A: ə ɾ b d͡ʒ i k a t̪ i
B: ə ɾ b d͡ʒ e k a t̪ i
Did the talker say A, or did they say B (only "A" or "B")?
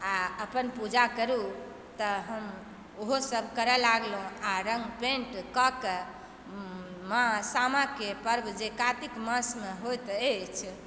B